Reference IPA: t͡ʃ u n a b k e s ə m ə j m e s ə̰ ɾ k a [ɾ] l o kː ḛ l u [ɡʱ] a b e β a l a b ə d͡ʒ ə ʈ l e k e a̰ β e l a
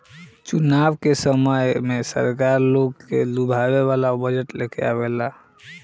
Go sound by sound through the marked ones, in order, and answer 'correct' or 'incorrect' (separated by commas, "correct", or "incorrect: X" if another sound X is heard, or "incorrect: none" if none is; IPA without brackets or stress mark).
correct, incorrect: bʱ